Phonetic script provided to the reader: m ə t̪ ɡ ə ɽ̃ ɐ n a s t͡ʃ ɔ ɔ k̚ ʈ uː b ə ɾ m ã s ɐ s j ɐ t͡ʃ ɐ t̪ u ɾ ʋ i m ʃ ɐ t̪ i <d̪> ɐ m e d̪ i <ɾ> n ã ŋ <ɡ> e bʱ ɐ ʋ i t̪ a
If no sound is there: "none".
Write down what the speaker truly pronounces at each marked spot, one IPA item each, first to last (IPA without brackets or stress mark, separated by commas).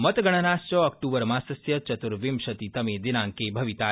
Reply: t̪, none, k